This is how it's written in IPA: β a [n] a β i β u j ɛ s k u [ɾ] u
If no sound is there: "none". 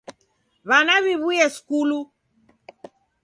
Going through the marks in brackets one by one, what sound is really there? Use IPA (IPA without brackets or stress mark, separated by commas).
n, l